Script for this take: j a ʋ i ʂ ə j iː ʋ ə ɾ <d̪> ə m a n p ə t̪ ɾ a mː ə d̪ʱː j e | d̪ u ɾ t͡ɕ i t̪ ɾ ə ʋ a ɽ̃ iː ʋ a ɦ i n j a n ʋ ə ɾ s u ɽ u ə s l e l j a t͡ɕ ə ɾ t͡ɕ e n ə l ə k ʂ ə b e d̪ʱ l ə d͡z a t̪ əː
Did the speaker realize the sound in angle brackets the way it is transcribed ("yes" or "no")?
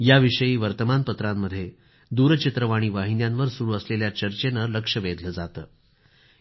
no